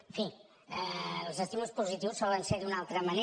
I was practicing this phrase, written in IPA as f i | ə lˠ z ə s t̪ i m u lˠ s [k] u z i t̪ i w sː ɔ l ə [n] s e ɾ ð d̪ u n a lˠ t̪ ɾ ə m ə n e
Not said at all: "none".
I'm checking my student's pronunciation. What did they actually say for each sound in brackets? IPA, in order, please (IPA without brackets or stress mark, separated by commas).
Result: p, n